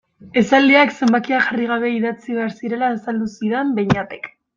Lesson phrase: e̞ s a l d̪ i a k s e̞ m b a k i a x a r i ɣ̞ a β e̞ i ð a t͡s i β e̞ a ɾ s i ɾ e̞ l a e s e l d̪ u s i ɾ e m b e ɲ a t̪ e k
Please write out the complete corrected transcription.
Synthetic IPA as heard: e̞ s a l d̪ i a k s e̞ m b a k i a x a r i ɣ̞ a β e̞ i ð a t͡s i β e̞ a ɾ s i ɾ e̞ l a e s a l d̪ u s i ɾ e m b e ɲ a t̪ e k

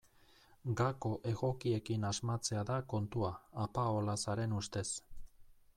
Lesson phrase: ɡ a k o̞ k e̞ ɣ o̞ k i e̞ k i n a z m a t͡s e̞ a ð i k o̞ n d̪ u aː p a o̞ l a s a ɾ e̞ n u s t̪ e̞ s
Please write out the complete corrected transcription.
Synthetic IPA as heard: ɡ a k o̞ ʔ e̞ ɣ o̞ k i e̞ k i n a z m a t͡s e̞ a ð a k o̞ n t̪ u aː p a o̞ l a s a ɾ e̞ n u s t̪ e̞ s

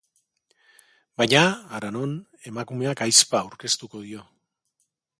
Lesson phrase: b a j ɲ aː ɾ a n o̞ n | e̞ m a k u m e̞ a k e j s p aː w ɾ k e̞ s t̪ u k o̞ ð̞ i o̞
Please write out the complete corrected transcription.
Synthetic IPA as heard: b a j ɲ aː ɾ a n o̞ n | e̞ m a k u m e̞ a k a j s p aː w ɾ k e̞ s t̪ u k o̞ ð̞ i o̞

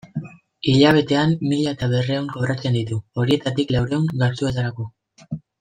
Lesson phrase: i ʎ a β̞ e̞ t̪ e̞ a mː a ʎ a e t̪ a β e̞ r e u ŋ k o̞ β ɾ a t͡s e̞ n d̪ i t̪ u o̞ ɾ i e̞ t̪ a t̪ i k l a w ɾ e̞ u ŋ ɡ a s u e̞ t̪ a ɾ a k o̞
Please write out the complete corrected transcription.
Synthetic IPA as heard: i ʎ a β̞ e̞ t̪ e̞ a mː i ʎ a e t̪ a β e̞ r e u ŋ k o̞ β ɾ a t͡s e̞ n d̪ i t̪ u o̞ ɾ i e̞ t̪ a t̪ i k l a w ɾ e̞ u ŋ ɡ a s u e̞ t̪ a ɾ a k o̞

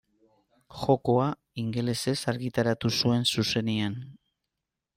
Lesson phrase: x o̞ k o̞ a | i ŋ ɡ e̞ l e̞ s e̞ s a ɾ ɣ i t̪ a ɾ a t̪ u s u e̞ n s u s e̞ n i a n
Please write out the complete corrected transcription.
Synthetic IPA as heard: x o̞ k o̞ a | i ŋ ɡ e̞ l e̞ s e̞ s a ɾ ɣ i t̪ a ɾ a t̪ u s u e̞ n s u s e̞ n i a n

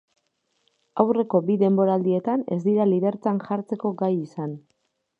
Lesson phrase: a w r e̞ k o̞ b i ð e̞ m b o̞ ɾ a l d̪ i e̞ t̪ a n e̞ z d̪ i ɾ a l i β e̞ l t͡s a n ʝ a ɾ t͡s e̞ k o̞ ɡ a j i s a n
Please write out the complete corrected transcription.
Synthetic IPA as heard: a w r e̞ k o̞ b i ð e̞ m b o̞ ɾ a l d̪ i e̞ t̪ a n e̞ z d̪ i ɾ a l i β e̞ ɾ t͡s a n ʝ a ɾ t͡s e̞ k o̞ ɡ a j i s a n

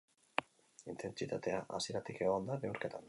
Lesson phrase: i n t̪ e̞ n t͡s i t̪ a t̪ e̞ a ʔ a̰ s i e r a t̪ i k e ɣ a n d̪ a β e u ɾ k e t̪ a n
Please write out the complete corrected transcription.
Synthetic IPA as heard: i n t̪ e̞ n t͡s i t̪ a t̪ e̞ a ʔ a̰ s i e ɾ a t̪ i k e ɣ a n d̪ a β e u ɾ k e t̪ a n

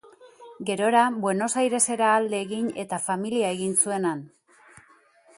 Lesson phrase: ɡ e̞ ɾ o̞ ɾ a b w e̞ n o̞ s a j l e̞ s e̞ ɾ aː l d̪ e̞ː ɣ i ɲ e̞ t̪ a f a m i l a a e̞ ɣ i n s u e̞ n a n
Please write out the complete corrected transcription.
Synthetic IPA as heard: ɡ e̞ ɾ o̞ ɾ a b w e̞ n o̞ s a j ɾ e̞ s e̞ ɾ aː l d̪ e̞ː ɣ i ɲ e̞ t̪ a f a m i l i a e̞ ɣ i n s u e̞ n a n

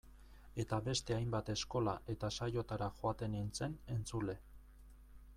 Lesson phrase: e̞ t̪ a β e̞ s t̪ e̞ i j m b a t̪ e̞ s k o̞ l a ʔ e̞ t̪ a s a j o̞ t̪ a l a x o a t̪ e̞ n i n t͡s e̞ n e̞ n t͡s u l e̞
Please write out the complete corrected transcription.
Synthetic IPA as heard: e̞ t̪ a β e̞ s t̪ e̞ a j m b a t̪ e̞ s k o̞ l a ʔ e̞ t̪ a s a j o̞ t̪ a ɾ a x o a t̪ e̞ n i n t͡s e̞ n e̞ n t͡s u l e̞

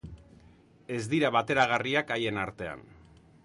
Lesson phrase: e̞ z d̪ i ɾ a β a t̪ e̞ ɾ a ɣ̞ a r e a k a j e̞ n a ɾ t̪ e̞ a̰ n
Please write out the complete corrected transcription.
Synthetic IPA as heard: e̞ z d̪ i ɾ a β a t̪ e̞ ɾ a ɣ̞ a r i a k a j e̞ n a ɾ t̪ e̞ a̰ n

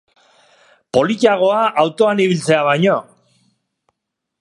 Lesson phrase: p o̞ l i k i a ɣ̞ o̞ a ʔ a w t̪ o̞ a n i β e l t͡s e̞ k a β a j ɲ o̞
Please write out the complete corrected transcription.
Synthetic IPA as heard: p o̞ l i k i a ɣ̞ o̞ a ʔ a w t̪ o̞ a n i β i l t͡s e̞ a β a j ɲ o̞

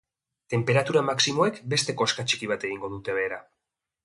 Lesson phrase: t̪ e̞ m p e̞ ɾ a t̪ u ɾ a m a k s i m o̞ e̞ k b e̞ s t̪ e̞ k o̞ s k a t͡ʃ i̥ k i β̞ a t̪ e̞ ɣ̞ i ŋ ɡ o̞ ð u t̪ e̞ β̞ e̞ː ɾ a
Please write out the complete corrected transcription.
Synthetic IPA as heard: t̪ e̞ m p e̞ ɾ a t̪ u ɾ a m a k s i m o̞ e̞ k b e̞ s t̪ e̞ k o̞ s k a t͡ʃ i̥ k i β̞ a t̪ e̞ ɣ̞ i ŋ ɡ o̞ ð u t̪ e̞ β̞ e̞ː ɾ a

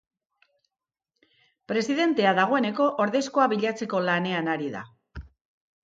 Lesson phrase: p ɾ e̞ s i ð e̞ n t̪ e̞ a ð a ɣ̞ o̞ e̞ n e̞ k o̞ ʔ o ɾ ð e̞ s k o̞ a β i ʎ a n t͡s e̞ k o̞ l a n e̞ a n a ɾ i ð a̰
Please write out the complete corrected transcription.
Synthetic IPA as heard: p ɾ e̞ s i ð e̞ n t̪ e̞ a ð a ɣ̞ o̞ e̞ n e̞ k o̞ ʔ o ɾ ð e̞ s k o̞ a β i ʎ a t͡s e̞ k o̞ l a n e̞ a n a ɾ i ð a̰

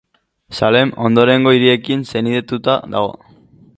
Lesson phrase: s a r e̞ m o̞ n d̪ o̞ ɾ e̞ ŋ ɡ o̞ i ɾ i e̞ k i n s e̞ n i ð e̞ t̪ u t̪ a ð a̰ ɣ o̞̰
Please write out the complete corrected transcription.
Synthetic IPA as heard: s a l e̞ m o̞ n d̪ o̞ ɾ e̞ ŋ ɡ o̞ i ɾ i e̞ k i n s e̞ n i ð e̞ t̪ u t̪ a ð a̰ ɣ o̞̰

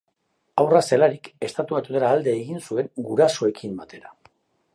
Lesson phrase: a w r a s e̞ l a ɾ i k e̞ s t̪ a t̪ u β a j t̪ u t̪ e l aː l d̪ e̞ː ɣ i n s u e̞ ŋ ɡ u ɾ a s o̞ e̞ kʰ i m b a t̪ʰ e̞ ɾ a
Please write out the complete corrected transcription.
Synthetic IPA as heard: a w r a s e̞ l a ɾ i k e̞ s t̪ a t̪ u β a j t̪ u t̪ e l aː l d̪ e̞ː ɣ i n s u e̞ ŋ ɡ u ɾ a s o̞ e̞ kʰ i m b a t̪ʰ e̞ ɾ a

